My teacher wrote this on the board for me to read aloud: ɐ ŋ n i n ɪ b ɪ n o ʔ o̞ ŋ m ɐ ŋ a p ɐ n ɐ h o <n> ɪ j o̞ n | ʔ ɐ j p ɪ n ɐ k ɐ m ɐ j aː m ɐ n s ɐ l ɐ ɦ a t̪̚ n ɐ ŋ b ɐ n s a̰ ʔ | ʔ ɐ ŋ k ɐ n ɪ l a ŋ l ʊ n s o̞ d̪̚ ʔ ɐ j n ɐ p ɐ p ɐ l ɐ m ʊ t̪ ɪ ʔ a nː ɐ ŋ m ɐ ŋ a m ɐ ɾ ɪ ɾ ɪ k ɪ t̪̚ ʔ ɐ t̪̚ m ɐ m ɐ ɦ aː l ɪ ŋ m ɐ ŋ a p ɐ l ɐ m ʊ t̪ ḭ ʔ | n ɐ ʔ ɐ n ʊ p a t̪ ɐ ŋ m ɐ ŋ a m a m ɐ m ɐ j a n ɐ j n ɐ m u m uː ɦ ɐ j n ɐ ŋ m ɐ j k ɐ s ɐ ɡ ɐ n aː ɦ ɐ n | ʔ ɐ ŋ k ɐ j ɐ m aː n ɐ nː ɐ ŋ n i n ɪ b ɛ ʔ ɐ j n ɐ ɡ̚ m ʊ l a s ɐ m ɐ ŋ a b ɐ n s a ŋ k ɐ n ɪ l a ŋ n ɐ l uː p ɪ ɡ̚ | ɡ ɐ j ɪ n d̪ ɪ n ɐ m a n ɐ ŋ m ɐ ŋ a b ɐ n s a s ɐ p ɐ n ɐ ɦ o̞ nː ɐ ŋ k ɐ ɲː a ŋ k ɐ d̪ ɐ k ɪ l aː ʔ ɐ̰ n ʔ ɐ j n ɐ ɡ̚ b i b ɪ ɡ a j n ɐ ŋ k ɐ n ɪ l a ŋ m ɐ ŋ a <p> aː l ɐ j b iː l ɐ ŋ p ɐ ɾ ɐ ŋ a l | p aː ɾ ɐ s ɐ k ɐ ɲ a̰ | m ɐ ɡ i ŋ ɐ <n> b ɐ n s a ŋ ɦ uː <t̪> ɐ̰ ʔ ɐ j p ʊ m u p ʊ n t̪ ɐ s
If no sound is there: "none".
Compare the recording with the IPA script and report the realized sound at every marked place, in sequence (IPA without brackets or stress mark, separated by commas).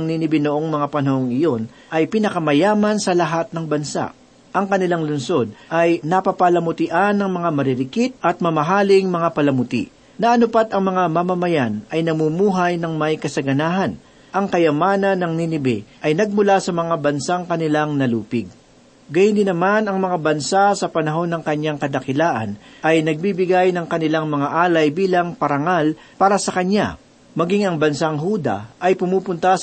ŋ, ʔ, ŋ, d̪